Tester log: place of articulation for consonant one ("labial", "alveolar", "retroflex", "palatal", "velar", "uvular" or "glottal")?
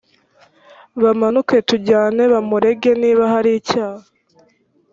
labial